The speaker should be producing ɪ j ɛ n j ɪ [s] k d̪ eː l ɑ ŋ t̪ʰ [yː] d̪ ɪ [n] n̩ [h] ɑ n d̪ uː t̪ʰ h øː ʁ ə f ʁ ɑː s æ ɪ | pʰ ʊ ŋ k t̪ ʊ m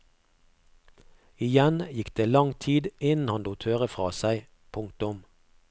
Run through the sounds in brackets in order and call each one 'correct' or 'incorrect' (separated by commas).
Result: incorrect, incorrect, correct, correct